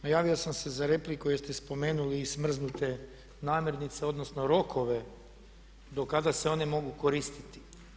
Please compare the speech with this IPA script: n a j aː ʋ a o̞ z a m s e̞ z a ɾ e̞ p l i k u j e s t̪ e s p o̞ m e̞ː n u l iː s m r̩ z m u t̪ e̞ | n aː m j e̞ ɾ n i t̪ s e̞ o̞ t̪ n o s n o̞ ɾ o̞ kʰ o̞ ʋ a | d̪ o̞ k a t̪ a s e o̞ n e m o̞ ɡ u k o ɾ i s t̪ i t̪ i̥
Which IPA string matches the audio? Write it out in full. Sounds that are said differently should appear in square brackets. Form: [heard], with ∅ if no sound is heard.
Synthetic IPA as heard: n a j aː ʋ [i] o̞ [s] a m s e̞ z a ɾ e̞ p l i k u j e s t̪ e s p o̞ m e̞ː n u l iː s m r̩ z [n] u t̪ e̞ | n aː m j e̞ ɾ n i t̪ s e̞ o̞ [d̪] n o s n o̞ ɾ o̞ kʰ o̞ ʋ [e] | d̪ o̞ k a [d̪] a s e o̞ n e m o̞ ɡ u k o ɾ i s t̪ i t̪ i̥